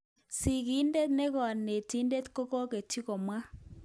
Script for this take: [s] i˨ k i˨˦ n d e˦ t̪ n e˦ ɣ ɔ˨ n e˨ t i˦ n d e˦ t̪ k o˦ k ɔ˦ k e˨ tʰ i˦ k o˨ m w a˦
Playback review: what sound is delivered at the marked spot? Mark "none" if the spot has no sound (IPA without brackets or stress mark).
s